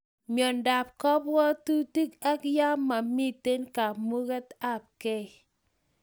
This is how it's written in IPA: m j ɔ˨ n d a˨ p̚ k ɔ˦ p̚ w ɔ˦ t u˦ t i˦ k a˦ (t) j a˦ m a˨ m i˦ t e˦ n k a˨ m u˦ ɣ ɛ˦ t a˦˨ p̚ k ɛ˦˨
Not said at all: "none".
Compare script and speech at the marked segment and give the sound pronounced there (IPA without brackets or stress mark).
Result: k